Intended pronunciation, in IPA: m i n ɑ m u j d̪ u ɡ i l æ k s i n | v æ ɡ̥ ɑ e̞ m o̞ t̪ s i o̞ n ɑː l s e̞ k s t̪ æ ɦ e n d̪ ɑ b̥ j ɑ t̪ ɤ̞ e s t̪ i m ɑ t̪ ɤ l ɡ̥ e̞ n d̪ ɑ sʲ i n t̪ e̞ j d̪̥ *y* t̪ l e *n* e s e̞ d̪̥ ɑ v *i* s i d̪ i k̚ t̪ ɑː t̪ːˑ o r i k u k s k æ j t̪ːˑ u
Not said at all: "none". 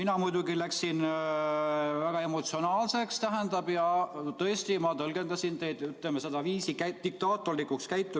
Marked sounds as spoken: y, m, iː

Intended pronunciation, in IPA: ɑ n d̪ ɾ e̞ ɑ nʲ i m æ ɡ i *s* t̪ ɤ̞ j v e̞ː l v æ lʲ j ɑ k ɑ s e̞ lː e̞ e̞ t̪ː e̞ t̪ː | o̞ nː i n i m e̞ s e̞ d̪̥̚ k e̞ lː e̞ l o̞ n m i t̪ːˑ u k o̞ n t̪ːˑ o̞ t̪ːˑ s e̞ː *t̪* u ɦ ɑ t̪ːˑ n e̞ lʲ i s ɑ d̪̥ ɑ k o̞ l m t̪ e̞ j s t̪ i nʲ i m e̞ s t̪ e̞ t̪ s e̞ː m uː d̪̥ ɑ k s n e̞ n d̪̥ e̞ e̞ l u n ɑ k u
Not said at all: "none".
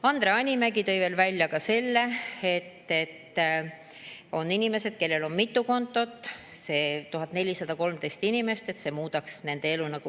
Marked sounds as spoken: none, t̪

